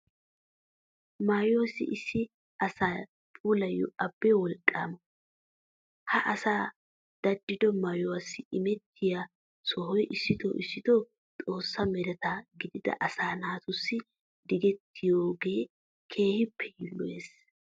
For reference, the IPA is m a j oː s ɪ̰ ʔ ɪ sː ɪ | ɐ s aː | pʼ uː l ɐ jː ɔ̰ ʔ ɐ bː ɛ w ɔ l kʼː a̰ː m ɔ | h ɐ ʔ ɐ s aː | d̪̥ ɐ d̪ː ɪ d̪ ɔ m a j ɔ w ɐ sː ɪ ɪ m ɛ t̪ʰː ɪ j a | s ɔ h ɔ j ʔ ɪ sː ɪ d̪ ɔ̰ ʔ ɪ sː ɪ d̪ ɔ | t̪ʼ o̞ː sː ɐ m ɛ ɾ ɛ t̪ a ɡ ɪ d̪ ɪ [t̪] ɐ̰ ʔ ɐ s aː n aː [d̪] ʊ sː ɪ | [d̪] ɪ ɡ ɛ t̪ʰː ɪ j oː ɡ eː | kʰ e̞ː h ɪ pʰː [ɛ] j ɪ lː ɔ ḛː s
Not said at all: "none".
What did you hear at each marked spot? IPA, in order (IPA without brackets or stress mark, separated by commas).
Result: d̪, t̪, d̪, ɛ